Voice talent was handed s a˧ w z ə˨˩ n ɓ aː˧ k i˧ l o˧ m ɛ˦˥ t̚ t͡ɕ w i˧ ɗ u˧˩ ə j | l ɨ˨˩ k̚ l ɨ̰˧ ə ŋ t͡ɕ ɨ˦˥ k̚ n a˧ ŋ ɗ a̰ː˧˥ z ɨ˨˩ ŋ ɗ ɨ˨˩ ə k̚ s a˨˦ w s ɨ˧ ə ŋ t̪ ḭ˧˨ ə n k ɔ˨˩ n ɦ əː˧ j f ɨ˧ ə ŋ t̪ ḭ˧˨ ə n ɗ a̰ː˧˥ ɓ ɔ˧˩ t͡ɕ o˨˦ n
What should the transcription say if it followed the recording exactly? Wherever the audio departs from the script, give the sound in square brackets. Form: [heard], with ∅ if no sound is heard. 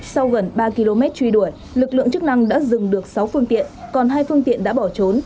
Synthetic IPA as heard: s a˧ w [ɣ] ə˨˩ n ɓ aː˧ k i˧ l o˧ m ɛ˦˥ t̚ t͡ɕ w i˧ ɗ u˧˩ ə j | l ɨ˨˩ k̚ l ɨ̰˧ ə ŋ t͡ɕ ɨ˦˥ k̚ n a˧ ŋ ɗ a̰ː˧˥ z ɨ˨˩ ŋ ɗ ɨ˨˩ ə k̚ s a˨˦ w [f] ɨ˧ ə ŋ t̪ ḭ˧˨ ə n k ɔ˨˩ n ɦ [aː˧] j f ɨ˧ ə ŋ t̪ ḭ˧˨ ə n ɗ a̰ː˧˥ ɓ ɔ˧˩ t͡ɕ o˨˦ n